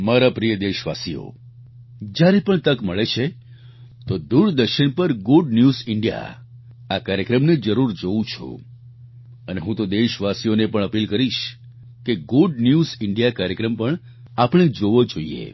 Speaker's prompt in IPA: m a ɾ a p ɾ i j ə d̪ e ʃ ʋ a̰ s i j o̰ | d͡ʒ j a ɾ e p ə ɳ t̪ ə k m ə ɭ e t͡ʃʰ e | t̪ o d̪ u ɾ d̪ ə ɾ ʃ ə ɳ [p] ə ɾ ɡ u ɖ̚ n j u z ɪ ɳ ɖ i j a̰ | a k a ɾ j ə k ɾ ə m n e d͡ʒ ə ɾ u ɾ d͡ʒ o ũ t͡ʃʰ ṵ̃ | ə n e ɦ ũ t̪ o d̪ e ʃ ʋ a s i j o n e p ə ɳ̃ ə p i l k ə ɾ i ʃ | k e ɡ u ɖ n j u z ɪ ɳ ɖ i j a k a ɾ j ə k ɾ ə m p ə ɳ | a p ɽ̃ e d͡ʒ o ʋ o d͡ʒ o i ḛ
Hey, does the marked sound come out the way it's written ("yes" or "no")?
yes